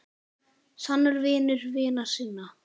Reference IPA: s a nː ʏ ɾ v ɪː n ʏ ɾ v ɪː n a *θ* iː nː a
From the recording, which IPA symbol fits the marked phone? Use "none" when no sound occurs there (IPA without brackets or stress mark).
s